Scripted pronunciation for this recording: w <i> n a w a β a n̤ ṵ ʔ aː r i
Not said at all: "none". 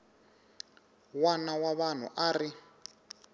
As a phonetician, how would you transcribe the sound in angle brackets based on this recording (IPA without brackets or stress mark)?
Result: a